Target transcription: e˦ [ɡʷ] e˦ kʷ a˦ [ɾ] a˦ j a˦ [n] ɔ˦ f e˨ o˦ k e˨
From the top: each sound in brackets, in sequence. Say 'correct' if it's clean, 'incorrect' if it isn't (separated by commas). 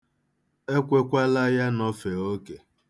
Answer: incorrect, incorrect, correct